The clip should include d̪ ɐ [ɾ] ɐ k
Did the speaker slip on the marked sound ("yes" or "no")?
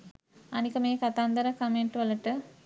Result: no